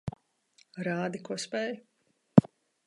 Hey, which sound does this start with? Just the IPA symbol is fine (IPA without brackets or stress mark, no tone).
ɾ